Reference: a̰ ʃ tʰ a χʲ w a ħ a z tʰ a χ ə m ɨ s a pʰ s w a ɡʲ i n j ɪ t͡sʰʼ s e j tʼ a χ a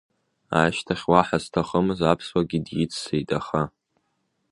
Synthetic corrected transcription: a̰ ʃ tʰ a χʲ w a ħ a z tʰ a χ ə m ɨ z a pʰ s w a ɡʲ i d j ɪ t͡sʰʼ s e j tʼ a χ a

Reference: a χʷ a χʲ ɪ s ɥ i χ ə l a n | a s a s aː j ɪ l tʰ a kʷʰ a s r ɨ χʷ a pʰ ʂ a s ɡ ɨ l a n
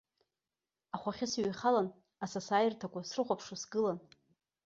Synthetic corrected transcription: a χʷ a χʲ ɪ s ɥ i χ a l a n | a s a s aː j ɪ r tʰ a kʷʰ a s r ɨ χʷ a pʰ ʂ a s ɡ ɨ l a n

